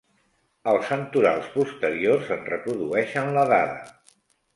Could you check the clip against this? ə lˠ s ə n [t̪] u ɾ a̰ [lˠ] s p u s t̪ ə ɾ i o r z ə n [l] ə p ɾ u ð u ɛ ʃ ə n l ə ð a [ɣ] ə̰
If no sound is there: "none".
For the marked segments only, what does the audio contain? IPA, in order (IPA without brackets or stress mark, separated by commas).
t̪, lˠ, r, ð